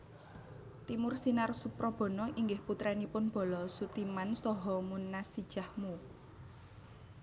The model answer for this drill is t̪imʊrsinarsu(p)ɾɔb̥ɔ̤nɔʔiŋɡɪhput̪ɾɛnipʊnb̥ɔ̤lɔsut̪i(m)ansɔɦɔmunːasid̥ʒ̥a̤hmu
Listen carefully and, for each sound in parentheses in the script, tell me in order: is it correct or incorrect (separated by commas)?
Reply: correct, correct